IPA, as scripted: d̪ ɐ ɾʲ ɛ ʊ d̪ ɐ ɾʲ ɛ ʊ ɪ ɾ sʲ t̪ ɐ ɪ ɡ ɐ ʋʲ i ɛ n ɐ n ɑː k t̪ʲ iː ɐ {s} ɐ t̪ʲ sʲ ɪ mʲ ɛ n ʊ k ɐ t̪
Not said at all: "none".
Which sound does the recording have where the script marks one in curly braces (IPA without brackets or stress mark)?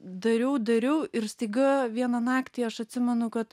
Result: ʃ